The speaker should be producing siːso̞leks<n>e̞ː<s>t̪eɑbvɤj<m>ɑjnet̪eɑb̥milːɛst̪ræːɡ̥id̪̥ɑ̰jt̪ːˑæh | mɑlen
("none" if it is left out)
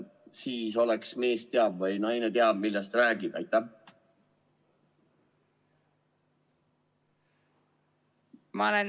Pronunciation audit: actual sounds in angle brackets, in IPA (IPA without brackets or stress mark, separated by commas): m, s, n